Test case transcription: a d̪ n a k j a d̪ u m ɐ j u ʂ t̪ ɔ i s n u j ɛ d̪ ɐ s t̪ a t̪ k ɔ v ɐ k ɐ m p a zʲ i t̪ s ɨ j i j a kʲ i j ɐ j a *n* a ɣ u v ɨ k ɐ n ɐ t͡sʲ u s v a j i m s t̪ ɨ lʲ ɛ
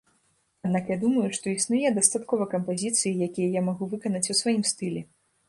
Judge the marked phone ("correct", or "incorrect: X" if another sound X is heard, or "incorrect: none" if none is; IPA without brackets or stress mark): incorrect: m